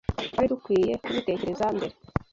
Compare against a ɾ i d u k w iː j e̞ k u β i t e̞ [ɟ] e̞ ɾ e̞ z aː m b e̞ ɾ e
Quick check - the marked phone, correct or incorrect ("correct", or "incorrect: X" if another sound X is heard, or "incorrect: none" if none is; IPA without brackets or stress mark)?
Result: incorrect: c